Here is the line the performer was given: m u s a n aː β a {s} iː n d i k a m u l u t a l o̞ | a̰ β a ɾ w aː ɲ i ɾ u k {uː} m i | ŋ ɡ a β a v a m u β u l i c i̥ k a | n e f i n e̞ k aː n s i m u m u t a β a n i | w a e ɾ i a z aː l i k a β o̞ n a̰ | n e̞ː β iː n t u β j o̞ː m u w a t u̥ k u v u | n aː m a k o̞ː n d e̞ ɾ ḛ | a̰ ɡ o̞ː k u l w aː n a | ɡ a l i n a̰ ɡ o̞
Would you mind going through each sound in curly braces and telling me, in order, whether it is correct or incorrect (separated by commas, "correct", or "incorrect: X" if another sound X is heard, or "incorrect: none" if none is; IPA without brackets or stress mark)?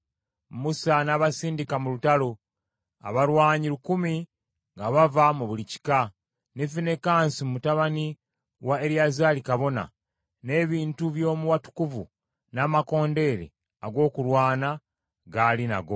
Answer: correct, incorrect: u